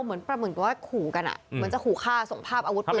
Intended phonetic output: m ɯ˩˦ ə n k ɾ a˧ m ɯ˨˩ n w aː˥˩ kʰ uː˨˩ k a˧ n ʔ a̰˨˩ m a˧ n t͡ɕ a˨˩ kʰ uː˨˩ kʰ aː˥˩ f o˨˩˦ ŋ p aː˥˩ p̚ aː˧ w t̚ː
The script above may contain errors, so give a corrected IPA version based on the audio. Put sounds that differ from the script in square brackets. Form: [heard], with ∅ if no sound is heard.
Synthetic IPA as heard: m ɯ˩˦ ə n [p] ɾ a˧ m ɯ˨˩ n w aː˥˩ kʰ uː˨˩ k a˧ n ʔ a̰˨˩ m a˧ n t͡ɕ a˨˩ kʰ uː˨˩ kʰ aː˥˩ [s] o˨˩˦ ŋ [pʰ] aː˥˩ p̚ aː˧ w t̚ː